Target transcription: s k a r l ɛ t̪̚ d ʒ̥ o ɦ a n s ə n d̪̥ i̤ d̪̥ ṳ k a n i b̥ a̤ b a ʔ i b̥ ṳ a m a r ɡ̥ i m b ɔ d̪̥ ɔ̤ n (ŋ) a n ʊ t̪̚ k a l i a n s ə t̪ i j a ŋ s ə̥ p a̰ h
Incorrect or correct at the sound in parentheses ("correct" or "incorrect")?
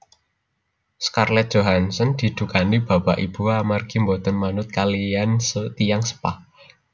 incorrect